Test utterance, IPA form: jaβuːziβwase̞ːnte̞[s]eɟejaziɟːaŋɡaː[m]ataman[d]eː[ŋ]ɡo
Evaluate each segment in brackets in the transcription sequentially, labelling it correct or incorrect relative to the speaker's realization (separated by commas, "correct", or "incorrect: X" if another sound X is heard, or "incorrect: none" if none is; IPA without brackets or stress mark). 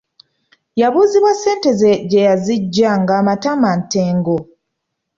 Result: incorrect: z, correct, incorrect: t, correct